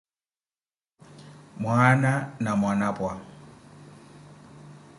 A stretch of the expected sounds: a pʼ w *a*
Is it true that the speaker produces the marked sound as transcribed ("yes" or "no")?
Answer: yes